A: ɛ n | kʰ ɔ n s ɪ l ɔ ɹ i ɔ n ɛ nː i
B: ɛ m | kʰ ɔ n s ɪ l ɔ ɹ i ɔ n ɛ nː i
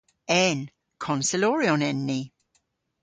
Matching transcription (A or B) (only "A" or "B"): A